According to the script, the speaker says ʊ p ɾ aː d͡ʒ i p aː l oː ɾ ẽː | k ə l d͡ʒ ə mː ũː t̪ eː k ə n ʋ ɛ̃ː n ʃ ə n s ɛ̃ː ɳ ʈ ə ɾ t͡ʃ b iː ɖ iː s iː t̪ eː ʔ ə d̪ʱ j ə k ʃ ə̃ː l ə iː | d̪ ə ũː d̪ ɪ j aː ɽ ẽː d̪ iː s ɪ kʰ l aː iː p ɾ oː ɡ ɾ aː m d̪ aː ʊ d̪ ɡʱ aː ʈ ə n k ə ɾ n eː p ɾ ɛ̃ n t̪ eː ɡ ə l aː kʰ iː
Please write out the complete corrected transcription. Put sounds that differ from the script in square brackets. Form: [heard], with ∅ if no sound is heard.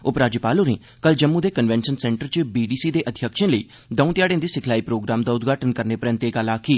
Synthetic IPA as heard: ʊ p ɾ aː d͡ʒ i p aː l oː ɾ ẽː | k ə l d͡ʒ ə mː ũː [d̪] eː k ə n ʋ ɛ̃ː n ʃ ə n s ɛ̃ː ɳ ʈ ə ɾ t͡ʃ b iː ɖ iː s iː [d̪] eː ʔ ə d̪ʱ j ə k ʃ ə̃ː l ə iː | d̪ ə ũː [t̪] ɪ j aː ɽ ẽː d̪ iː s ɪ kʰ l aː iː p ɾ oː ɡ ɾ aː m d̪ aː ʊ d̪ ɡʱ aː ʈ ə n k ə ɾ n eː p ɾ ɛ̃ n t̪ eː ɡ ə l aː kʰ iː